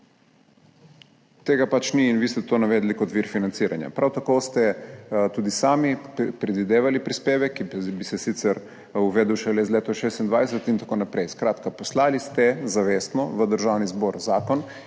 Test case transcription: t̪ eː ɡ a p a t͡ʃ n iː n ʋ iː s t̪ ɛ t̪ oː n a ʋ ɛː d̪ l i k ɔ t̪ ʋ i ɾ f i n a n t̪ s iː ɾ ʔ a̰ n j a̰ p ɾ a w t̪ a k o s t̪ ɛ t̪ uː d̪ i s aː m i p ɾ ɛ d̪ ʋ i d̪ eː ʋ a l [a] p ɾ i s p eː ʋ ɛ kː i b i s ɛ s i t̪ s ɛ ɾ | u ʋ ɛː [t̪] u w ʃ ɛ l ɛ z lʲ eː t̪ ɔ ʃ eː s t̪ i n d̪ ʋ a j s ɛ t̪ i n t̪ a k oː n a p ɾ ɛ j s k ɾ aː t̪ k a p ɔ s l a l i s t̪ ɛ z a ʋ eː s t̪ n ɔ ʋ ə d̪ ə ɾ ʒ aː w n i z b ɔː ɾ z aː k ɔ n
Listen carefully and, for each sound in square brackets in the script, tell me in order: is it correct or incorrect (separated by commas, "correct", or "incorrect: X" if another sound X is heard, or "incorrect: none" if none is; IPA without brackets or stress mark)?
incorrect: i, incorrect: d̪